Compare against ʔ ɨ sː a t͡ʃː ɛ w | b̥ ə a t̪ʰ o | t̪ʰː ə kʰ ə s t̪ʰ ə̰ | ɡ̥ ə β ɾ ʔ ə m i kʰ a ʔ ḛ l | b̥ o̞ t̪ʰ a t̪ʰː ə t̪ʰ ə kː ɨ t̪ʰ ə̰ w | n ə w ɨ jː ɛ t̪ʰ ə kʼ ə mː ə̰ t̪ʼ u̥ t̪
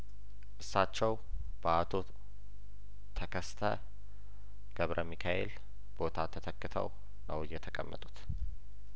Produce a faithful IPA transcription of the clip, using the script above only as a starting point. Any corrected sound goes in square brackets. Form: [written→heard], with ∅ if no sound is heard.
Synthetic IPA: ʔ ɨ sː a t͡ʃː ɛ w | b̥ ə a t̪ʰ o | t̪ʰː ə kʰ ə s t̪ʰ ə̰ | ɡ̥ ə β ɾ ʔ ə m i kʰ a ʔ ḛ l | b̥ o̞ t̪ʰ a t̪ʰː ə t̪ʰ ə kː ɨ t̪ʰ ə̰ w | n ə w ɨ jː ɛ t̪ʰ ə kʼ ə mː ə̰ t̪ʼ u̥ t̪